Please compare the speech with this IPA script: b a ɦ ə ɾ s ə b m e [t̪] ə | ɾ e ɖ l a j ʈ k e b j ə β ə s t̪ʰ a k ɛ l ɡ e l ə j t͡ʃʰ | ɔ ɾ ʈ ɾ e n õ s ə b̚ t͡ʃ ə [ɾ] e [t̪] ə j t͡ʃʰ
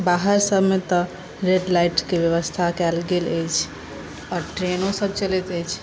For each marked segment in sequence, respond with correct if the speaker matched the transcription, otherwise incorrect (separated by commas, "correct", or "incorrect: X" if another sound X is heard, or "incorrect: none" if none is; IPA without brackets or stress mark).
correct, incorrect: l, correct